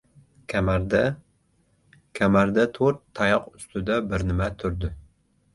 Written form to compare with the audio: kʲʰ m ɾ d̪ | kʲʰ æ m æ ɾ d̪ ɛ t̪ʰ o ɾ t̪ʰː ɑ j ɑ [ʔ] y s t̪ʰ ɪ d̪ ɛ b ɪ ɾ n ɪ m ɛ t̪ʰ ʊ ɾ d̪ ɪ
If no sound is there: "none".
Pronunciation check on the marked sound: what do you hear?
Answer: q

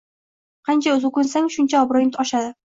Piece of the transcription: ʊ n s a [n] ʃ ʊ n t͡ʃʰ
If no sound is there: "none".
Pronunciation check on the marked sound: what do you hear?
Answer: ŋ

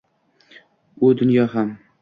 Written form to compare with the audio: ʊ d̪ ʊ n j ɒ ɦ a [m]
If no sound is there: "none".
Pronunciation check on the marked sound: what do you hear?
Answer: m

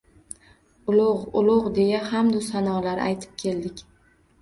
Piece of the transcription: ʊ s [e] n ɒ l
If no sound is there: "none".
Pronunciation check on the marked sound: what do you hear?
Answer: a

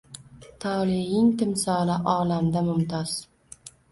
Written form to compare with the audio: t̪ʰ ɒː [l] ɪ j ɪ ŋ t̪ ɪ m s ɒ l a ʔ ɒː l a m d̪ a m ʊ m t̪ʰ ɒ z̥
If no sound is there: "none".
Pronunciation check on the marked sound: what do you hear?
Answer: l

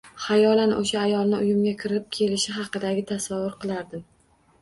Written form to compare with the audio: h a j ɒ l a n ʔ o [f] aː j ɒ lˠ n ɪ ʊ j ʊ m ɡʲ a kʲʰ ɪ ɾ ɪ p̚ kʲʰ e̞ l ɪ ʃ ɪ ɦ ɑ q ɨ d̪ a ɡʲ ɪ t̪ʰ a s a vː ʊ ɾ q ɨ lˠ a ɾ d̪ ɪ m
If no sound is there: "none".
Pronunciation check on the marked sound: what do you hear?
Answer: ʃ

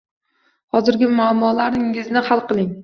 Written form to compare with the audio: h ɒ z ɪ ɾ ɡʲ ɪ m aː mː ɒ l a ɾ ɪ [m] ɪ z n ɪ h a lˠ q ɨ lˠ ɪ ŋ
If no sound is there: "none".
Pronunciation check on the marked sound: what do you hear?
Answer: ŋ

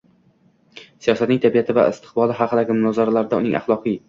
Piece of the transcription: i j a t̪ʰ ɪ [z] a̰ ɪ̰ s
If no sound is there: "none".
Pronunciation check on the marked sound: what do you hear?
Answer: v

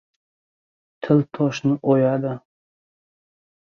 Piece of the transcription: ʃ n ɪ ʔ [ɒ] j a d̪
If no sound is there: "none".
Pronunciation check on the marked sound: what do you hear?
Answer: o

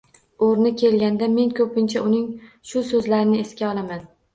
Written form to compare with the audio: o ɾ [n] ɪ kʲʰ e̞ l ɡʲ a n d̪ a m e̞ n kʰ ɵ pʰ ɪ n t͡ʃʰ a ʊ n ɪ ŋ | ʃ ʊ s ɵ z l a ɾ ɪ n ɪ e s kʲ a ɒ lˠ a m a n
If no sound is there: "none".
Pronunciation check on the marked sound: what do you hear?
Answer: n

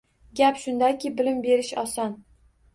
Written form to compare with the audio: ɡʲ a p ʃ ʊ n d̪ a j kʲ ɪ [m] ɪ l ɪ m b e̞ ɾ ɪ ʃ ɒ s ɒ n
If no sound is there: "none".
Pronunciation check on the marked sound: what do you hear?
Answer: b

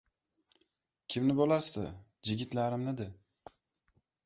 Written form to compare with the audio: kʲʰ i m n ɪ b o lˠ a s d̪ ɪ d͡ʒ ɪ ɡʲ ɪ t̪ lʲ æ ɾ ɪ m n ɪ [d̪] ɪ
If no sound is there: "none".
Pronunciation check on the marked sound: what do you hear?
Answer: d̪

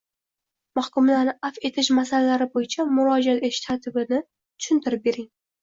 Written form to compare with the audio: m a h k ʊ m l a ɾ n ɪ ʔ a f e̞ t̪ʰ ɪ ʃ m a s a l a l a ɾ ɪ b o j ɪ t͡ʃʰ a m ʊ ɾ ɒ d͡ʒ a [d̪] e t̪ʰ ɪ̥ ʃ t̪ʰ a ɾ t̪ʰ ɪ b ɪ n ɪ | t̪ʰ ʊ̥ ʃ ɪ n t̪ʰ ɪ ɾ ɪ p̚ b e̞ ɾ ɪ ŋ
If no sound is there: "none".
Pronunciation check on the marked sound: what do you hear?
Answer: t̪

